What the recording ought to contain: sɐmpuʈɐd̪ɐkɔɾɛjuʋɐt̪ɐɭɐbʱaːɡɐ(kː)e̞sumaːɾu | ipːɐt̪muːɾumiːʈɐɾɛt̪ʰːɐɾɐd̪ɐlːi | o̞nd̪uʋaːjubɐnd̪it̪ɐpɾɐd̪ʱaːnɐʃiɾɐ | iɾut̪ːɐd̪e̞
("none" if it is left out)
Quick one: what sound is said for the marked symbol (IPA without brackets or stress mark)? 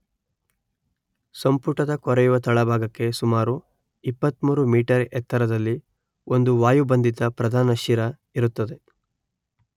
kː